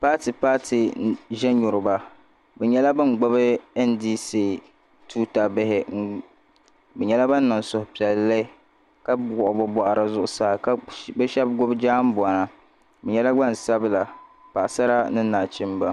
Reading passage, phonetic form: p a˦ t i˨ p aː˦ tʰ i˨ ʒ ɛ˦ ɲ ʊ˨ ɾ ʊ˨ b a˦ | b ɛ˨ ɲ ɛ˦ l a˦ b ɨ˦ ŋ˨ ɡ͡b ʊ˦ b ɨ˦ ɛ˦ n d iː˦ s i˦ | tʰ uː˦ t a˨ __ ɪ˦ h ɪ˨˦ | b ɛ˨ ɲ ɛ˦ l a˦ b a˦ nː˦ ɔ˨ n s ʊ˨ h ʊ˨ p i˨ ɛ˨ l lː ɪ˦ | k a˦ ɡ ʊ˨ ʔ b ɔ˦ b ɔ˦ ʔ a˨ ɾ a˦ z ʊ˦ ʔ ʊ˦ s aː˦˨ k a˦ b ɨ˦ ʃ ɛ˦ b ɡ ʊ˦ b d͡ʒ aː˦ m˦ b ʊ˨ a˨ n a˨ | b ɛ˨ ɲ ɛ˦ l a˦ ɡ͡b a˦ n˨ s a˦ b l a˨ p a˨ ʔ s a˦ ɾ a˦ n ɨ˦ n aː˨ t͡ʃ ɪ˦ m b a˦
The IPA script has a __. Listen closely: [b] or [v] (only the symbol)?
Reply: b